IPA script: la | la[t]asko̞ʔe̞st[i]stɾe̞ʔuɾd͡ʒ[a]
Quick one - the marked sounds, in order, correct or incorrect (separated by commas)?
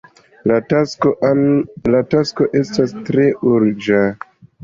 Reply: correct, incorrect, correct